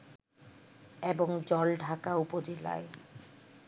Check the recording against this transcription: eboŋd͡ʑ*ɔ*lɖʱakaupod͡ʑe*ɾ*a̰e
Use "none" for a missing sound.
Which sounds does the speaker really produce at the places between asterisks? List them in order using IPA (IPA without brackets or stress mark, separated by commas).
ɔ, l